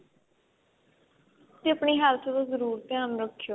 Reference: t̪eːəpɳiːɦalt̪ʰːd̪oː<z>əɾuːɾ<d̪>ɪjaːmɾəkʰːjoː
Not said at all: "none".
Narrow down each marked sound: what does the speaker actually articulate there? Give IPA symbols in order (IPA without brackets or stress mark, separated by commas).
z, t̪